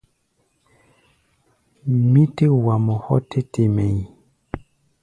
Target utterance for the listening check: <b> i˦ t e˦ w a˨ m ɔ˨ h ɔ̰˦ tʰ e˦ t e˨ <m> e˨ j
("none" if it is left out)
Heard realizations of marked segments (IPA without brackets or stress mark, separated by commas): m, m